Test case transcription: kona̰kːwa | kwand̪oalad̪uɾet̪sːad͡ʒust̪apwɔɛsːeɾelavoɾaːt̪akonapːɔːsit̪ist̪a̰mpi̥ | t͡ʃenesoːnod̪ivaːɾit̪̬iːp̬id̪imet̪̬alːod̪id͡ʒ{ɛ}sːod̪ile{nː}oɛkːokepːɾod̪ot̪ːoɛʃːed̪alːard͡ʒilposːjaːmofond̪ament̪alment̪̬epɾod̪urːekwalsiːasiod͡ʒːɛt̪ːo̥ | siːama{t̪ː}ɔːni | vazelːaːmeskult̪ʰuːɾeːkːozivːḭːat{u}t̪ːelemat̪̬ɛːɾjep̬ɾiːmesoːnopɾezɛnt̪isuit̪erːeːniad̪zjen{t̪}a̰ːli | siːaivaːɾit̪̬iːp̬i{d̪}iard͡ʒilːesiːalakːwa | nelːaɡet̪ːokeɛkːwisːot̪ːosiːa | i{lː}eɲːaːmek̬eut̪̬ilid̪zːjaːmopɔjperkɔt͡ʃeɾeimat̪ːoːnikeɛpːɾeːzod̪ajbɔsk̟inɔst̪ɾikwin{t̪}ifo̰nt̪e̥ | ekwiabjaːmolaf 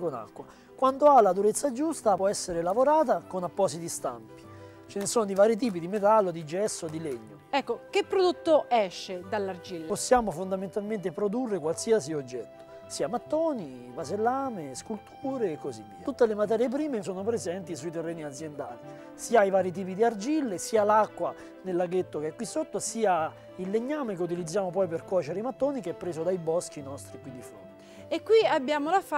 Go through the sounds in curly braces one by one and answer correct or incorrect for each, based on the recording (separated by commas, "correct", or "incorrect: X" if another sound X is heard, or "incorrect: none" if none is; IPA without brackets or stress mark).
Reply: correct, incorrect: ɲː, correct, correct, incorrect: d̪, correct, correct, incorrect: d̪